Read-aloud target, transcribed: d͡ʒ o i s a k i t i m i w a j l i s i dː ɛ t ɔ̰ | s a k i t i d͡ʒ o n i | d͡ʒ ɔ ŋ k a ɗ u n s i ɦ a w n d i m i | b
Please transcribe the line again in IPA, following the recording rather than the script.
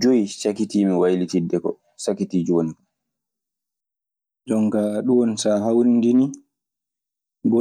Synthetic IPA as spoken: d͡ʒ o i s a k i t i m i w a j l i t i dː ɛ k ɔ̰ | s a k i t i d͡ʒ o n i | d͡ʒ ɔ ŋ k a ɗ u n s a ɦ a w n d i n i | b